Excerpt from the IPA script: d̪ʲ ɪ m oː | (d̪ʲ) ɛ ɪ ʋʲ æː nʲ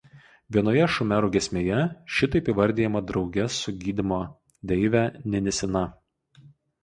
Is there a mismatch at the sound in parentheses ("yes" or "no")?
no